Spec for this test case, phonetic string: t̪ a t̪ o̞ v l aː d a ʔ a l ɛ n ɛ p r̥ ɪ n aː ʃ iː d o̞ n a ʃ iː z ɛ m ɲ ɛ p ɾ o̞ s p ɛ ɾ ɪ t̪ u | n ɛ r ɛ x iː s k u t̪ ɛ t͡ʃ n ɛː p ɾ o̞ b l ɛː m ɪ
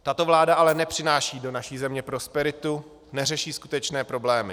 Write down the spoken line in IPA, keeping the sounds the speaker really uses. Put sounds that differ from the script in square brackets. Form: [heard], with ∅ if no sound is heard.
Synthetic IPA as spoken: t̪ a t̪ o̞ v l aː d a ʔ a l ɛ n ɛ p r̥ ɪ n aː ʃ iː d o̞ n a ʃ iː z ɛ m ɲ ɛ p ɾ o̞ s p ɛ ɾ ɪ t̪ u | n ɛ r ɛ [ʃ] iː s k u t̪ ɛ t͡ʃ n ɛː p ɾ o̞ b l ɛː m ɪ